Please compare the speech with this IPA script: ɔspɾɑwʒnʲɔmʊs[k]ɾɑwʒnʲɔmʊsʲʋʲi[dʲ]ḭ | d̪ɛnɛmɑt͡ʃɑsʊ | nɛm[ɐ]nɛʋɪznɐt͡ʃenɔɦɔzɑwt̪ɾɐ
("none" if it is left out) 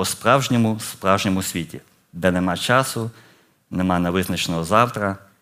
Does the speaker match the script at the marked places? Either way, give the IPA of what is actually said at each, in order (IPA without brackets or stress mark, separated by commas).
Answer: p, tʲ, ɑ